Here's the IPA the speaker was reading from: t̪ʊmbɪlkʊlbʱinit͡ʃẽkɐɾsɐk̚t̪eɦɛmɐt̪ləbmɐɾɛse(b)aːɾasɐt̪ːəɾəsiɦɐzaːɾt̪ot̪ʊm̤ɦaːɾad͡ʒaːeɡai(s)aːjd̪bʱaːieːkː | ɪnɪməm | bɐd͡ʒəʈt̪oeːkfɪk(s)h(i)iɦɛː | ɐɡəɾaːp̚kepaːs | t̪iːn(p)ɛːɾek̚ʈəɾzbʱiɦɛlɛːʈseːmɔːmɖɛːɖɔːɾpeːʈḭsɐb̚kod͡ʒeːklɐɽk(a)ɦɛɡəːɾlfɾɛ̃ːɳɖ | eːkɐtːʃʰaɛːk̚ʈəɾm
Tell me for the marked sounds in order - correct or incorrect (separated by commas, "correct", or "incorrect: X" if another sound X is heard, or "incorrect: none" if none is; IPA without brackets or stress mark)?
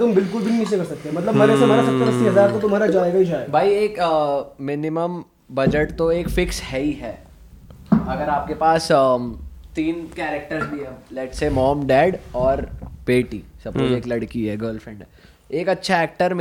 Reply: incorrect: m, incorrect: ʃ, correct, incorrect: ɛ, incorrect: k, incorrect: i